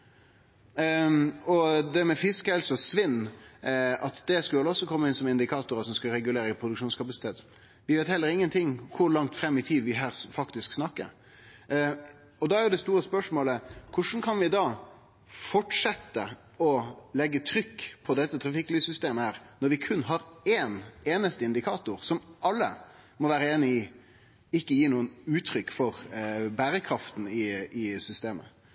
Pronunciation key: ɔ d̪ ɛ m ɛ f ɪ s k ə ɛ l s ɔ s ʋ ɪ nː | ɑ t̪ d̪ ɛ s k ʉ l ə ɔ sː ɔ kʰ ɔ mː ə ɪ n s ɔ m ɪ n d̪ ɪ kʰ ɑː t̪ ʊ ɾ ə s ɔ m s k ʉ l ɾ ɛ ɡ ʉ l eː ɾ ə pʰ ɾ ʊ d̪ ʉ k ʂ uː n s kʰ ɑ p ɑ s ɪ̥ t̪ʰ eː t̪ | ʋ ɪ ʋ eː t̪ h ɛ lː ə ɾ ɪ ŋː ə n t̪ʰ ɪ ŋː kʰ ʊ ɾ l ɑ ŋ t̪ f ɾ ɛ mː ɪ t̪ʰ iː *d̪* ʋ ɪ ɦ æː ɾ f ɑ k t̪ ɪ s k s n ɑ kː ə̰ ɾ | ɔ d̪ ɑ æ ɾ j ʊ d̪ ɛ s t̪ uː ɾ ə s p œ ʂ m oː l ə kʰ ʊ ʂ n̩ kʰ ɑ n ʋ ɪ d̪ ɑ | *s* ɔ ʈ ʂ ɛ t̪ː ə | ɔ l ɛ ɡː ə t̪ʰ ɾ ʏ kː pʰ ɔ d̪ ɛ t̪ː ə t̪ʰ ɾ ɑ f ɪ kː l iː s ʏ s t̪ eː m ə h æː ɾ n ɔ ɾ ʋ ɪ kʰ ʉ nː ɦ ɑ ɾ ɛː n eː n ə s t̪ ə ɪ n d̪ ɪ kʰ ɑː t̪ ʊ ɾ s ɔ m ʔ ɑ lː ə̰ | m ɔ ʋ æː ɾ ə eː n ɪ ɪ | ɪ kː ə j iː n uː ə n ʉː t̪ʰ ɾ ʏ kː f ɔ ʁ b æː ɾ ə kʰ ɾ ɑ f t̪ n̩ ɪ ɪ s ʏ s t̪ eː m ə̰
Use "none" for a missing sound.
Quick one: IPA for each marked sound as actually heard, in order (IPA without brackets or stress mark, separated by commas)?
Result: d̪, f